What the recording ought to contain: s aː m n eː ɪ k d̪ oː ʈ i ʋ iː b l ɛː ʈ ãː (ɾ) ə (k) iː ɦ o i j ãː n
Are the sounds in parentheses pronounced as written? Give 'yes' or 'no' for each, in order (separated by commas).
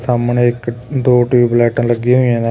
no, no